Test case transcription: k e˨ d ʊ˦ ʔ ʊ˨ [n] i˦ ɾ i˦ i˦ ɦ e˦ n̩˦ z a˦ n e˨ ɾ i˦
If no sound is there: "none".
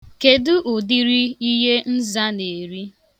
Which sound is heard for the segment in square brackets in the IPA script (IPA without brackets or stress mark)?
d